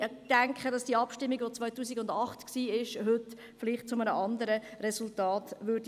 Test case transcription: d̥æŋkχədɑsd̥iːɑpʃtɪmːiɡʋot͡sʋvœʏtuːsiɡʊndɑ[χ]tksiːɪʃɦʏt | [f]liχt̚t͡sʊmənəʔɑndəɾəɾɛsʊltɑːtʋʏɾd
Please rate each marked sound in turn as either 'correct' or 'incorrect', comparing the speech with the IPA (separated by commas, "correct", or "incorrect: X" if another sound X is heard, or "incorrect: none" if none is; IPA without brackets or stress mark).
correct, correct